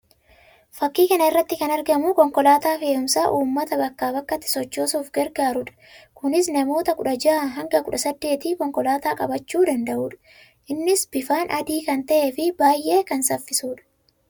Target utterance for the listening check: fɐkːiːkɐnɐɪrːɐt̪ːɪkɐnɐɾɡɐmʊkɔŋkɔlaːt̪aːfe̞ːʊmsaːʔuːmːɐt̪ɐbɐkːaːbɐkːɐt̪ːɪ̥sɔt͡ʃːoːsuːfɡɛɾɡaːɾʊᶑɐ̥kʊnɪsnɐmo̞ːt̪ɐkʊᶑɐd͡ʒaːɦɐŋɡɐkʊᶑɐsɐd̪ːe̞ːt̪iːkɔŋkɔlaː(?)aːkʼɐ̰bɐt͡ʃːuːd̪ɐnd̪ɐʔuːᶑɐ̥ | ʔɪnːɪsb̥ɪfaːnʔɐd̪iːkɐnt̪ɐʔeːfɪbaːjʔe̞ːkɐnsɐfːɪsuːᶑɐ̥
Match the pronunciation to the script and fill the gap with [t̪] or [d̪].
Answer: t̪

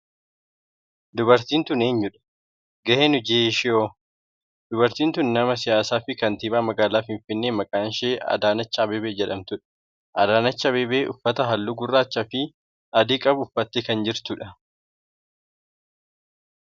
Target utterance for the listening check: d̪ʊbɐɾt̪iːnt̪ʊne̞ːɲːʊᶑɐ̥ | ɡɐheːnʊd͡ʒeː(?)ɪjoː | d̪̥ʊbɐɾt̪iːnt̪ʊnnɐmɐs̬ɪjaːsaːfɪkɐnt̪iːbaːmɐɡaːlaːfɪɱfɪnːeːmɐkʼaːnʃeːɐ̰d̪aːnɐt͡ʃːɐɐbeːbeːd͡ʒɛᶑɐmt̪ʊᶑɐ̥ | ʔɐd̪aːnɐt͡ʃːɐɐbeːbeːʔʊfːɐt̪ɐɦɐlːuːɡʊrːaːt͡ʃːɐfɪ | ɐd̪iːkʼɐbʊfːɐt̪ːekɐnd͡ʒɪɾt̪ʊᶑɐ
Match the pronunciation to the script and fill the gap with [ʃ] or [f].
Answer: ʃ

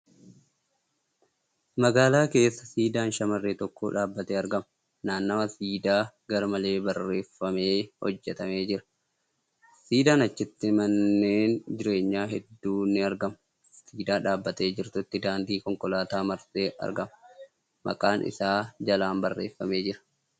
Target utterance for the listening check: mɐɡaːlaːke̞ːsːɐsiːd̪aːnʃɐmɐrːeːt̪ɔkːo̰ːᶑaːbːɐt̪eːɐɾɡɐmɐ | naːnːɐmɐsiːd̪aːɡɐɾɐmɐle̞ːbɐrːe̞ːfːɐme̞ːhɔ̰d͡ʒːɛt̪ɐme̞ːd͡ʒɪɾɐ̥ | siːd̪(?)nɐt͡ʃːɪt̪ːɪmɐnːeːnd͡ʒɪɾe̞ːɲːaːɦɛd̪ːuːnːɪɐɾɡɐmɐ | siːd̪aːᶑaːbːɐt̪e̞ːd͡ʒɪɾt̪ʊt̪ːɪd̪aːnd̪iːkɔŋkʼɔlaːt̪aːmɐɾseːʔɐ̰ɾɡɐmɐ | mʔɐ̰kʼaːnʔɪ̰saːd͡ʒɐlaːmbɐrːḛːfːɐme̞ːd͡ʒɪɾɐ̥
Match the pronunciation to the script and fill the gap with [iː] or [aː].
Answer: aː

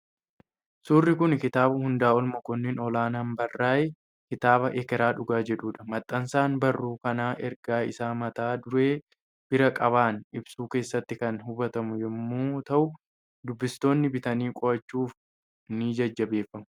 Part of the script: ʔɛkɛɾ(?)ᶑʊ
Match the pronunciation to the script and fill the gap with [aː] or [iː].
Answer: aː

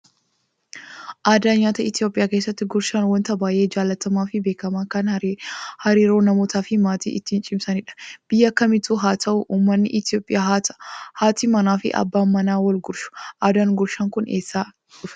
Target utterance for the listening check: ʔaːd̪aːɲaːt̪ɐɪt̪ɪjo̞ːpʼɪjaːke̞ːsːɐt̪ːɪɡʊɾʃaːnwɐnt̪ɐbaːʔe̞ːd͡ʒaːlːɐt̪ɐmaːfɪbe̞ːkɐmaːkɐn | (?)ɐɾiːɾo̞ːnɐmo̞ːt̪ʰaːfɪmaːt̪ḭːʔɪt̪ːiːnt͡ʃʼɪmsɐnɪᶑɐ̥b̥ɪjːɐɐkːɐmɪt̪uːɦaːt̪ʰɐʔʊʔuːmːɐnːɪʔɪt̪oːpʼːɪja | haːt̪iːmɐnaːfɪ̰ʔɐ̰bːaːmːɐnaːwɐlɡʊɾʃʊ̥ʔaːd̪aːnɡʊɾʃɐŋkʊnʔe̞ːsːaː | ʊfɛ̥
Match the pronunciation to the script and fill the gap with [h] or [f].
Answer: h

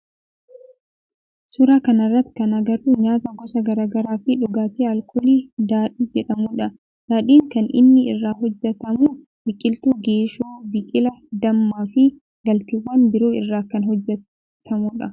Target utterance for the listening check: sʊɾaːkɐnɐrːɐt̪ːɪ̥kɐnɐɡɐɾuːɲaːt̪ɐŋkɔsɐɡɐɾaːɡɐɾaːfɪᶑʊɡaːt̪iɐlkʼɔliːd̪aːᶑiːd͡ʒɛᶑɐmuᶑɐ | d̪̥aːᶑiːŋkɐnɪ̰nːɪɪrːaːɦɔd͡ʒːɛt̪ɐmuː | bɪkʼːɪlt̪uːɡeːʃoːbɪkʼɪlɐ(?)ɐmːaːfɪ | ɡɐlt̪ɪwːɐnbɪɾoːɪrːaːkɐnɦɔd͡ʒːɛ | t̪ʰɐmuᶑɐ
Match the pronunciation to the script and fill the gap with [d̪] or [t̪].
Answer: d̪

